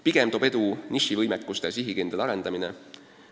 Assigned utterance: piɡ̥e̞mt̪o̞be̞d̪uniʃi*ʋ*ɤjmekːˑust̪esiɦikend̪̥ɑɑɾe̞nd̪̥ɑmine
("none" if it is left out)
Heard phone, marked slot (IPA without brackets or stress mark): v